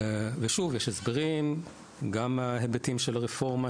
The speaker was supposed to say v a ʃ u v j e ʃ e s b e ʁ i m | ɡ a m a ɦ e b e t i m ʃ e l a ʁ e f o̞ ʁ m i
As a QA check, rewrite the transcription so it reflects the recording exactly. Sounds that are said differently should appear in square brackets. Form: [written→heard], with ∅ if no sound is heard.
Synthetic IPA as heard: v [a→e] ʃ u v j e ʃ e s b e ʁ i m | ɡ a m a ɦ e b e t i m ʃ e l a ʁ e f o̞ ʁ m [i→a]